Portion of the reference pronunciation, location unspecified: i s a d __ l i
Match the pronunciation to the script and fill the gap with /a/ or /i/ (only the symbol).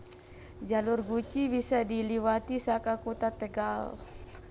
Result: i